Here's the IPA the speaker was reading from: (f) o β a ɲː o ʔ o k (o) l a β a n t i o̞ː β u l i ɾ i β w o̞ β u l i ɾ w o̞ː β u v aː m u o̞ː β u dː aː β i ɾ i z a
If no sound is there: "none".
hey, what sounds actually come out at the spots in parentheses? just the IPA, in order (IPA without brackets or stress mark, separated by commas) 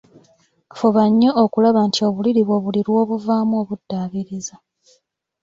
f, u